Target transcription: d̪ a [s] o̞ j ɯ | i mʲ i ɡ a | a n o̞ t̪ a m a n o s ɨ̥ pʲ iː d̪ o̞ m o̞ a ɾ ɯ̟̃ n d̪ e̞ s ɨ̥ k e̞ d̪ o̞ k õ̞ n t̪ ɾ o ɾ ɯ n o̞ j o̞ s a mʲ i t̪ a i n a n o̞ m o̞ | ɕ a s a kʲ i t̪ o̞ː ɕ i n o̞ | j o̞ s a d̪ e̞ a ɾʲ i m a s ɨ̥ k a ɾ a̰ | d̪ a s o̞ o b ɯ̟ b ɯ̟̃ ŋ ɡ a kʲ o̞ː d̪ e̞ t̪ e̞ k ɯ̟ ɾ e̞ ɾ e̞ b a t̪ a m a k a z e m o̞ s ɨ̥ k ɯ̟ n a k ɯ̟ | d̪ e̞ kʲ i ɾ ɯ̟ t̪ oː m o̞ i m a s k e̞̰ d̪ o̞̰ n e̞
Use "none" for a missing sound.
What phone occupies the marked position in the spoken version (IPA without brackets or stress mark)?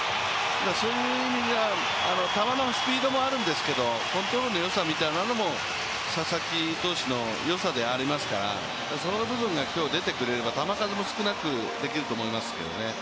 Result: s